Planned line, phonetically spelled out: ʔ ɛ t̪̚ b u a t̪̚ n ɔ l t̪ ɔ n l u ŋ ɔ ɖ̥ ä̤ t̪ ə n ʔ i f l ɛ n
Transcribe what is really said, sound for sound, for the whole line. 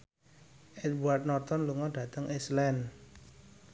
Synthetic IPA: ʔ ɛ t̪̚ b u a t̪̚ n ɔ r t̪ ɔ n l u ŋ ɔ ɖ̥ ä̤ t̪ ə ŋ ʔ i s l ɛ n